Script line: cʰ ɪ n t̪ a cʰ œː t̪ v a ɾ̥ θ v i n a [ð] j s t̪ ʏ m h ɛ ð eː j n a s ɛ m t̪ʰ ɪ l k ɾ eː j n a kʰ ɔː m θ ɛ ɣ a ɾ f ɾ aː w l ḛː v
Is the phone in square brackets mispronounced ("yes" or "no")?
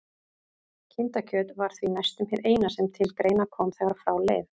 yes